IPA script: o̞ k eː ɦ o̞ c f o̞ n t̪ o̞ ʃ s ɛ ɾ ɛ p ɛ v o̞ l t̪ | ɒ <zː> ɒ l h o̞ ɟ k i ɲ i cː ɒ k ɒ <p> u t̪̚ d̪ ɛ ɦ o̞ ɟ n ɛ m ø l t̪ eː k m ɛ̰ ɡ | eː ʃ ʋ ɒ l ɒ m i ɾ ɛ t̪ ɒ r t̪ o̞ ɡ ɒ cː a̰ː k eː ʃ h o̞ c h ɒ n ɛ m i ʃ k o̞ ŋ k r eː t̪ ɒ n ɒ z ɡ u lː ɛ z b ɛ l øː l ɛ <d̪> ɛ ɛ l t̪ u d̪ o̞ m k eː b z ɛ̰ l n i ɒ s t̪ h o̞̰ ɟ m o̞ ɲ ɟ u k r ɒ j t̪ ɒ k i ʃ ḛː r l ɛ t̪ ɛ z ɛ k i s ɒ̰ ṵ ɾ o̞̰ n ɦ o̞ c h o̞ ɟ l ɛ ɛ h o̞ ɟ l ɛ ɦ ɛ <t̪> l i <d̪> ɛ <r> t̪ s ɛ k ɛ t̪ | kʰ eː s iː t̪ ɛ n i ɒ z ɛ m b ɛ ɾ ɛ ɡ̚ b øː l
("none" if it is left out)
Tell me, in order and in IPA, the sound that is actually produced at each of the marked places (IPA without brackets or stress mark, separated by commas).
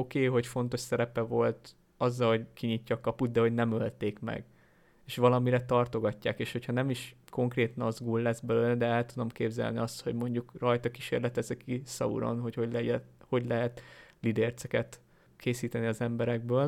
zː, p, d̪, t̪, d̪, r